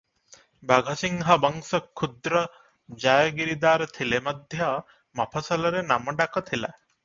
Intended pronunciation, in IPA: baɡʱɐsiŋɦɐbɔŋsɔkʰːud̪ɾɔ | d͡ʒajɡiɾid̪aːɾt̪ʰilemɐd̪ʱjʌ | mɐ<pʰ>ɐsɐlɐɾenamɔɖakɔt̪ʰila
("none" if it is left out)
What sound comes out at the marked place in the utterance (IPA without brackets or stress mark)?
pʰ